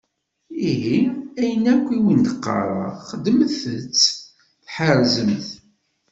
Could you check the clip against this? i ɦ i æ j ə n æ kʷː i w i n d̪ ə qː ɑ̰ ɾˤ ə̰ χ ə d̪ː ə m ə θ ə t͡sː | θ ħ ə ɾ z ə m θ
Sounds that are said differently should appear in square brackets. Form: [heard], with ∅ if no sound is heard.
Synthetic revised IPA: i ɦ i æ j ə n æ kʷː i w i n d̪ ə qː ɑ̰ ɾˤ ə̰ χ ə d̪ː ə m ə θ ə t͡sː | θ ħ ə ɾ z ə m θ